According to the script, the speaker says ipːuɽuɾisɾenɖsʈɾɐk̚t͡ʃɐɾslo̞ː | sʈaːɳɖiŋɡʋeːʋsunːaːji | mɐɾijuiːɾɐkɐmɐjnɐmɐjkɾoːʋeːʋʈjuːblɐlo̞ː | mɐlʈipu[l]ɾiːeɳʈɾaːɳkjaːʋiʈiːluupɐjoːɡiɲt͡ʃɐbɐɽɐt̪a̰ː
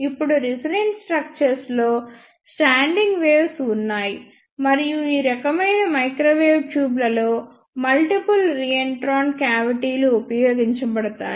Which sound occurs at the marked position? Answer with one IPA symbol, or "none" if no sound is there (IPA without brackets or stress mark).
l